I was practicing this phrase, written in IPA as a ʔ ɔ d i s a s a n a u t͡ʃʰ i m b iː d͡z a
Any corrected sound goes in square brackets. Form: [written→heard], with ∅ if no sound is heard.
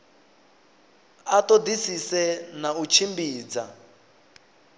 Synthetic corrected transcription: a [ʔ→t] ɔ d i s [a→i] s [a→ɛ] n a u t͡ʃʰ i m b iː d͡z a